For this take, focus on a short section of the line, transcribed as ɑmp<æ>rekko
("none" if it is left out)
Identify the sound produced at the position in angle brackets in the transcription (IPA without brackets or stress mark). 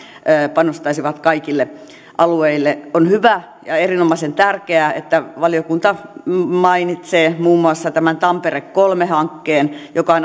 e